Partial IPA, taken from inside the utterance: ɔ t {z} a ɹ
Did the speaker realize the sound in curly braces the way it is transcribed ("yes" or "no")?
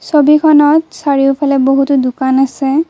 no